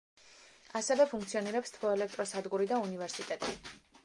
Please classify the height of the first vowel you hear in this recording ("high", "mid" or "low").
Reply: low